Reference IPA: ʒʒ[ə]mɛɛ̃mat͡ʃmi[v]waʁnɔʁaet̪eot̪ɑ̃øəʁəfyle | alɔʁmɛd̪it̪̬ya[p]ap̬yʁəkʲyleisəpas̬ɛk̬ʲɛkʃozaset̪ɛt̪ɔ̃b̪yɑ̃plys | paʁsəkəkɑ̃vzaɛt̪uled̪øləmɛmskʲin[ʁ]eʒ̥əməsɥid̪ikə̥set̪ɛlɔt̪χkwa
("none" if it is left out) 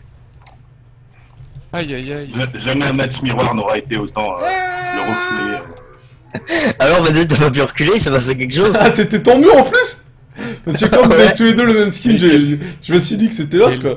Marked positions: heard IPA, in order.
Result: a, ʁ, p, ʒ

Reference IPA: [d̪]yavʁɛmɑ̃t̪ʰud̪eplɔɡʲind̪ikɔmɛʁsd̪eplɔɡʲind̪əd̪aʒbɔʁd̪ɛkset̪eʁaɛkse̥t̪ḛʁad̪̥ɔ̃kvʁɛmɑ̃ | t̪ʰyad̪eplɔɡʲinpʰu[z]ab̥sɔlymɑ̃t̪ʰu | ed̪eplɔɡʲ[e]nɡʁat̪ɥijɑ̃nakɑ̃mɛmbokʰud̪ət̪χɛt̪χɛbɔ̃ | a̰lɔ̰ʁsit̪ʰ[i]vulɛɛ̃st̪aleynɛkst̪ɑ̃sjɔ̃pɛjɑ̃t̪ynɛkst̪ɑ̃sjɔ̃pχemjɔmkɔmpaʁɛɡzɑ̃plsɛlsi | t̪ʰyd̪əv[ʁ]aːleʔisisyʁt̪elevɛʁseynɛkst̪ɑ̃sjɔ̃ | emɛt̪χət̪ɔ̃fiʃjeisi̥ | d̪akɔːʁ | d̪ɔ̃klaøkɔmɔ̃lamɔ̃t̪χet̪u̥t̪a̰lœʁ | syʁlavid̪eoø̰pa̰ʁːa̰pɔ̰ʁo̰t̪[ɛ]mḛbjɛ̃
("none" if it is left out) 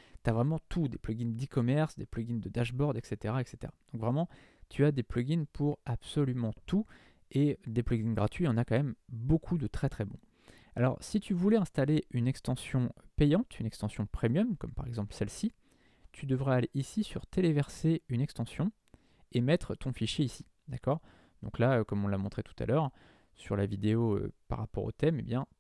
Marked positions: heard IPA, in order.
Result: t̪, ʁ, i, y, ʁ, ɛ

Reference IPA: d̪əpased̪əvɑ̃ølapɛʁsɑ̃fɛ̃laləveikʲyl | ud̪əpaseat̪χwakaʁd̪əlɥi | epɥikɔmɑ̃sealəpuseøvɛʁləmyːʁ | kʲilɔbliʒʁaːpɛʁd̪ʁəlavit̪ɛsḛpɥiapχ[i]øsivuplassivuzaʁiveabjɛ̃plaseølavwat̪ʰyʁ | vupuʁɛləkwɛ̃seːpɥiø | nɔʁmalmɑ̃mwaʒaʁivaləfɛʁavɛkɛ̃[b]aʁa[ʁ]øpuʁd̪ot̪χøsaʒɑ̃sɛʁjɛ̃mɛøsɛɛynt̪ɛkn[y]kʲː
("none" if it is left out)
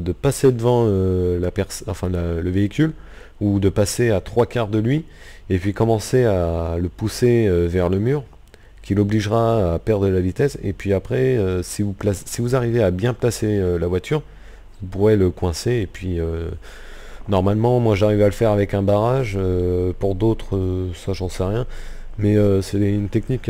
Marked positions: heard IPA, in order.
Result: ɛ, b, ʒ, i

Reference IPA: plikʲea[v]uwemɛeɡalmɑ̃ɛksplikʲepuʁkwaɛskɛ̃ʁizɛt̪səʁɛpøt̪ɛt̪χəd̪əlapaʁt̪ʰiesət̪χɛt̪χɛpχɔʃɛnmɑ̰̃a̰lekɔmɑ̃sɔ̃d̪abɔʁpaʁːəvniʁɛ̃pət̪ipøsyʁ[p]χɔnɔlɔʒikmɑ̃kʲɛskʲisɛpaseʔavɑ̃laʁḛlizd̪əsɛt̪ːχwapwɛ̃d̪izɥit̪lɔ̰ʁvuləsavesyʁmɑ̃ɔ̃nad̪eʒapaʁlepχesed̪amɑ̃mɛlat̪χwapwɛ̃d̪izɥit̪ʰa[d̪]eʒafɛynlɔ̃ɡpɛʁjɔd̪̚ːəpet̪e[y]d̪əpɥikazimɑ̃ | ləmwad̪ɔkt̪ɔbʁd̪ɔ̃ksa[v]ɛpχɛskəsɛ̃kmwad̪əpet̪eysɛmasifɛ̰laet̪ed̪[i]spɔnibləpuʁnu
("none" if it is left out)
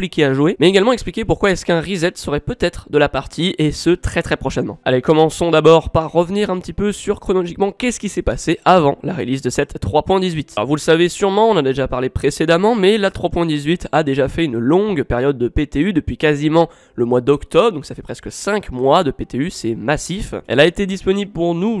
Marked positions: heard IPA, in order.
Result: ʒ, k, d̪, y, f, i

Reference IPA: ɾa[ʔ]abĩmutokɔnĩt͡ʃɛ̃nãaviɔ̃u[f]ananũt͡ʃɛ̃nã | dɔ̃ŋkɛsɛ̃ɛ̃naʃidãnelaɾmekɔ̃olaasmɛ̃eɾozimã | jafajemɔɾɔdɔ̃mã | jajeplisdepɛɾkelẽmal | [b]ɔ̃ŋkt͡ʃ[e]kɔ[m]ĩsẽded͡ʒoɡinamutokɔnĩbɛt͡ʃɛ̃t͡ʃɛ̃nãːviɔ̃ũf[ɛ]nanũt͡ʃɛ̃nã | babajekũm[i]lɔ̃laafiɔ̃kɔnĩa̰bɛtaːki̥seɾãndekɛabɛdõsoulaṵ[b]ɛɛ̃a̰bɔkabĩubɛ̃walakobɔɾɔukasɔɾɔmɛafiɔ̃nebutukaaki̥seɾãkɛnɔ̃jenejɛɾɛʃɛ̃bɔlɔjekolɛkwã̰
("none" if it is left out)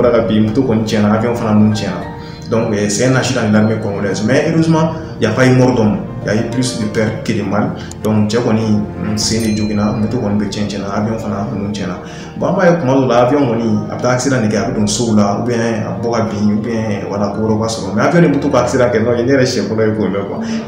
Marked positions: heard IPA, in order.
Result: k, f, d, ɛ, n, a, a, b

